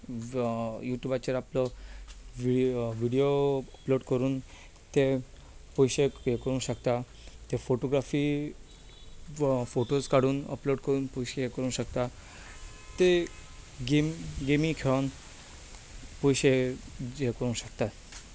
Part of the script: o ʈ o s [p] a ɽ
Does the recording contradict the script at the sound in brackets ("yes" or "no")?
yes